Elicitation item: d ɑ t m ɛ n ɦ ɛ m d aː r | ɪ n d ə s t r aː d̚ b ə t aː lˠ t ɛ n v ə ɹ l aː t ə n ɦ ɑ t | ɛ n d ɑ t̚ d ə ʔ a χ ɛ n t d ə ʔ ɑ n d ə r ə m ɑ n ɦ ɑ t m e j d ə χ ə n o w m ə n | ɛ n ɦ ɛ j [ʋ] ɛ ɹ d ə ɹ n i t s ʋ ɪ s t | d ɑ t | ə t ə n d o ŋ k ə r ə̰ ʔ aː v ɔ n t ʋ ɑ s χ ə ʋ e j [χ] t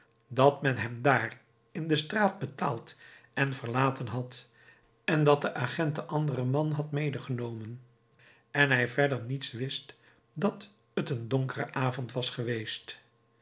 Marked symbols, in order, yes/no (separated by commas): no, no